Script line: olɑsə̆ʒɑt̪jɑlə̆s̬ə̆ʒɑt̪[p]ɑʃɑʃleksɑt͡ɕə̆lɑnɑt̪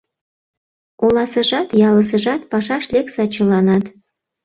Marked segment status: correct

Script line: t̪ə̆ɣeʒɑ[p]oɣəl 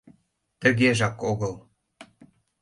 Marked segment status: incorrect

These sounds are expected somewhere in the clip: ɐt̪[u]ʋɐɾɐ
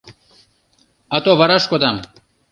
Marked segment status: incorrect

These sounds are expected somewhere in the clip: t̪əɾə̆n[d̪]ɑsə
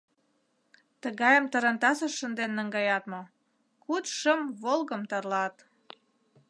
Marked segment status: incorrect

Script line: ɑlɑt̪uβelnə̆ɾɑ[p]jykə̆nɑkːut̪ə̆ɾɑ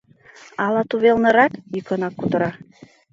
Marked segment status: incorrect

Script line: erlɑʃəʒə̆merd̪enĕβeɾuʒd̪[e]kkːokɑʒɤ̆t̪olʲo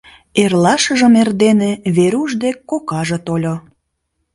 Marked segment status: correct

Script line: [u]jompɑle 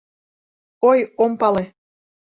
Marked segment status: incorrect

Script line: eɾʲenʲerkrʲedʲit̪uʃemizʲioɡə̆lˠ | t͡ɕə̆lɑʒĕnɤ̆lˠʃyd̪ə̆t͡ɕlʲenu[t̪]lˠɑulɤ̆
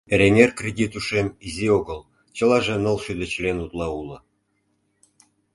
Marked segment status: correct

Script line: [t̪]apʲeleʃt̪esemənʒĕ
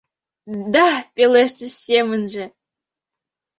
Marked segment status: incorrect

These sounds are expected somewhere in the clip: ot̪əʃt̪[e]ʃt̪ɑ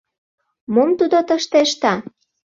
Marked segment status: correct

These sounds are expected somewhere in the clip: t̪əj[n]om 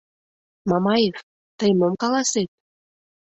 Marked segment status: incorrect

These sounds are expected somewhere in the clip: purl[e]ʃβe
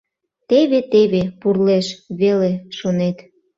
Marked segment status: correct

